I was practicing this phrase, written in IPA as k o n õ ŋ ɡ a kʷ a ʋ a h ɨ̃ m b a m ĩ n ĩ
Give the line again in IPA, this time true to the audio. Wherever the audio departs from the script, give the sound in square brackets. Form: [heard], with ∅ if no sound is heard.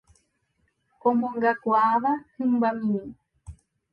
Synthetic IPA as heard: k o [m] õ ŋ ɡ a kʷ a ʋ a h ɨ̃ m b a m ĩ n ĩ